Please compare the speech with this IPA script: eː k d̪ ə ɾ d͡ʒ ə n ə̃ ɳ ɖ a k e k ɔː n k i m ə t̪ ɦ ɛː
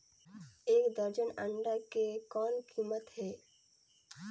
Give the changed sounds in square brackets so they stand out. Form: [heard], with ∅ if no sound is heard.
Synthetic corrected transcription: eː k d̪ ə ɾ d͡ʒ ə n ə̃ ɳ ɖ a k e k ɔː n k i m ə t̪ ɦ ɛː